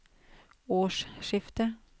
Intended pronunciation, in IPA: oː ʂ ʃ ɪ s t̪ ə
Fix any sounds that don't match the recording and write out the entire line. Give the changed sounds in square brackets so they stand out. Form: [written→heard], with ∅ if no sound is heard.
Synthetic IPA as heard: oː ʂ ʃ ɪ [s→f] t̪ ə

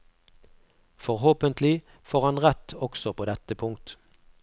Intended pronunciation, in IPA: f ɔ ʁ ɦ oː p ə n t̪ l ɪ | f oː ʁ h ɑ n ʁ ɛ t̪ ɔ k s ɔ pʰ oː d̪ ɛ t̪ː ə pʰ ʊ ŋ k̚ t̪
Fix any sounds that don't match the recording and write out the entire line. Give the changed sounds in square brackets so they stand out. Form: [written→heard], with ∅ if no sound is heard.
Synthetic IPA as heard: f ɔ ʁ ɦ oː p ə n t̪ l ɪ | f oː ʁ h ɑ n ʁ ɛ t̪ ɔ k s ɔ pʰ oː d̪ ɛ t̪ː ə pʰ ʊ ŋ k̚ t̪

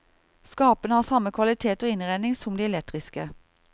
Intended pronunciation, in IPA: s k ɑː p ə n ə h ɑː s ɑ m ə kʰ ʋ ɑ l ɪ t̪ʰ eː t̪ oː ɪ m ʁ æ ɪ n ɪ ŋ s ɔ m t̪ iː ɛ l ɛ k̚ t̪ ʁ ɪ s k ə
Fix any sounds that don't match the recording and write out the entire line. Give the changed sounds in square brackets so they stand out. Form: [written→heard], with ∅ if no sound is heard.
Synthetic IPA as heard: s k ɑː p ə n ə h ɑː s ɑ m ə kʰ ʋ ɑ l ɪ t̪ʰ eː t̪ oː ɪ [m→n] ʁ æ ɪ n ɪ ŋ s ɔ m [t̪→d̪] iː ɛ l ɛ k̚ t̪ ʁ ɪ s k ə

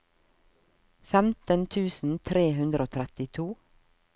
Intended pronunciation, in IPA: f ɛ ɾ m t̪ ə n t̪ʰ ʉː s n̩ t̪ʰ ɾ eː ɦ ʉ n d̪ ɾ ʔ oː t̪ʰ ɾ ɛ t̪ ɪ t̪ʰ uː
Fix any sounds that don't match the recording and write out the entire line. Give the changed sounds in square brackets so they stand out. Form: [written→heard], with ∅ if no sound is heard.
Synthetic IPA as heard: f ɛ [ɾ→∅] m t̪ ə n t̪ʰ ʉː s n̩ t̪ʰ ɾ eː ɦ ʉ n d̪ ɾ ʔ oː t̪ʰ ɾ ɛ t̪ ɪ t̪ʰ uː

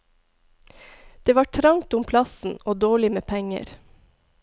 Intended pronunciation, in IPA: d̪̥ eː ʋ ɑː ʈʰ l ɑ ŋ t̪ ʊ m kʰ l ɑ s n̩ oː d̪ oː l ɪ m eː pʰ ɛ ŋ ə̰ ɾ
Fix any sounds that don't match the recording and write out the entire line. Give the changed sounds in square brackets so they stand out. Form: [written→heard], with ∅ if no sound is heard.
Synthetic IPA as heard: d̪̥ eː ʋ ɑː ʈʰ [l→ɾ] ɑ ŋ t̪ ʊ m [kʰ→pʰ] l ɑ s n̩ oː d̪ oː [l→ɭ] ɪ m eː pʰ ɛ ŋ ə̰ ɾ

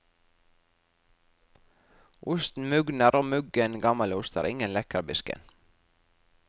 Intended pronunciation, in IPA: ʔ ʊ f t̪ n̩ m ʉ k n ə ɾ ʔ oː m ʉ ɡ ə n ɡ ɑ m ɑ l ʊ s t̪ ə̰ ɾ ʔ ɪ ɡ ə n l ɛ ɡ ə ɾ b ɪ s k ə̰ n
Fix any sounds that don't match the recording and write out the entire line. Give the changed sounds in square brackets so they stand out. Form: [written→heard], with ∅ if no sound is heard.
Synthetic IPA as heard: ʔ ʊ [f→s] t̪ n̩ m ʉ [k→ɡ] n ə ɾ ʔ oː m ʉ ɡ ə n ɡ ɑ m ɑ l ʊ s t̪ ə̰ ɾ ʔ ɪ [ɡ→ŋ] ə n l ɛ [ɡ→k] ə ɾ b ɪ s k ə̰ n

